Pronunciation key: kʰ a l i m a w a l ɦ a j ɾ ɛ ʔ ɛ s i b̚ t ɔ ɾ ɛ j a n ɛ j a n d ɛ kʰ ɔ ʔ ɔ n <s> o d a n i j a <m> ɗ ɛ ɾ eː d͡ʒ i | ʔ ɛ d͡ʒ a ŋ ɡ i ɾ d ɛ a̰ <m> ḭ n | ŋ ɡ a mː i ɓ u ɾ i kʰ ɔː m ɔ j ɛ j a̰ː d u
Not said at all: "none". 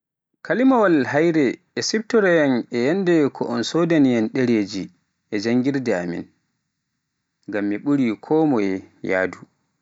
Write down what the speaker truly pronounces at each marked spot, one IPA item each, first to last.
s, n, m

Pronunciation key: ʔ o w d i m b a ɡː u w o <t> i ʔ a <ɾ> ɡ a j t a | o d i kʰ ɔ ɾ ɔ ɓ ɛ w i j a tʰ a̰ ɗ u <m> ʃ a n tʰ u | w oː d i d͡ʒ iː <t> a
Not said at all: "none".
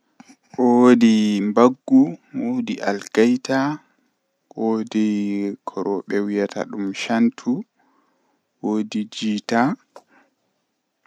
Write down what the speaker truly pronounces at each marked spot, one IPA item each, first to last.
d, l, m, t

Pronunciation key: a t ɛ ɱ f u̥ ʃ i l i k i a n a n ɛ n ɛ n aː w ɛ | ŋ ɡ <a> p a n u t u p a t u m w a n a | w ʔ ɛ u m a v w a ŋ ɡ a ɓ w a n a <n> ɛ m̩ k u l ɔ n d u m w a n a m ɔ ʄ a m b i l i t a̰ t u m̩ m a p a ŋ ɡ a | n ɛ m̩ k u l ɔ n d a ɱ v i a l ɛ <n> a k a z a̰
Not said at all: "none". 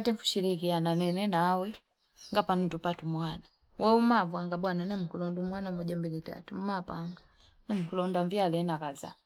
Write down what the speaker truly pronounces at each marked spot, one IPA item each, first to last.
a, n, n

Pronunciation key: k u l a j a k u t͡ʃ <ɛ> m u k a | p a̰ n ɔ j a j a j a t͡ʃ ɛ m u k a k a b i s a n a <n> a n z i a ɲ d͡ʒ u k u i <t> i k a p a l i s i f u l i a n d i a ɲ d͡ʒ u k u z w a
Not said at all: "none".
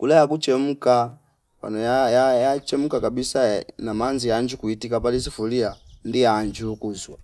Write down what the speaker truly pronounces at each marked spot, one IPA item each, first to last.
ɛ, m, t

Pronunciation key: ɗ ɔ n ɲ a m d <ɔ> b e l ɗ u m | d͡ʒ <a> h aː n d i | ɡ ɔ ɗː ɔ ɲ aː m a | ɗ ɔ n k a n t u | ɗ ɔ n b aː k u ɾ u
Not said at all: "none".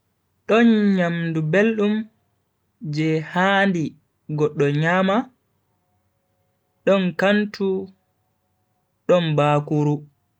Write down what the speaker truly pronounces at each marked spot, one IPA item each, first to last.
u, ɛ

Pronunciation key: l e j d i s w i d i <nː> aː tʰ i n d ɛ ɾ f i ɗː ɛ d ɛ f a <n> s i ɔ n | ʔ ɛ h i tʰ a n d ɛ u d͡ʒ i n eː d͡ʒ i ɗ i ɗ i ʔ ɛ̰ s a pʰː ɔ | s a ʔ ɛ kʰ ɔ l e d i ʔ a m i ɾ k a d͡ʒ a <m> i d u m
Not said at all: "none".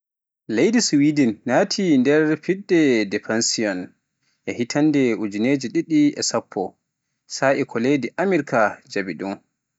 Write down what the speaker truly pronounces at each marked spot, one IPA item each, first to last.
nː, n, b

